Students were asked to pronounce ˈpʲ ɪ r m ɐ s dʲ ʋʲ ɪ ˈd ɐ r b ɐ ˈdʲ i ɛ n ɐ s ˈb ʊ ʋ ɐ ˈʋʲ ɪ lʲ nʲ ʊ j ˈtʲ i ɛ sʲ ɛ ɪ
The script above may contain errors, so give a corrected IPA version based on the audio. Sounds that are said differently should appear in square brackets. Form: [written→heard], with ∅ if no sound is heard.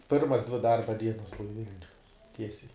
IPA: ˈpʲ ɪ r m ɐ s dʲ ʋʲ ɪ ˈd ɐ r b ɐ ˈdʲ i ɛ n ɐ s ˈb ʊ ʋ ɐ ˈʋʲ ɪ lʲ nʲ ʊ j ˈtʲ i ɛ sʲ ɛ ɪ